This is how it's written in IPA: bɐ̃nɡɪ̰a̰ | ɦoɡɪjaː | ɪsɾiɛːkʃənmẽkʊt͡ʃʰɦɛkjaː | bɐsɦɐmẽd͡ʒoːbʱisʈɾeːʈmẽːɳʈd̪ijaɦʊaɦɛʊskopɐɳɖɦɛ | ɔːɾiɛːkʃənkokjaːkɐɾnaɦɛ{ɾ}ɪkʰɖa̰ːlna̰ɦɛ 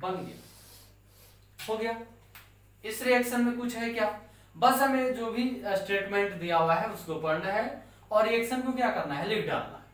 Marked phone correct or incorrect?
incorrect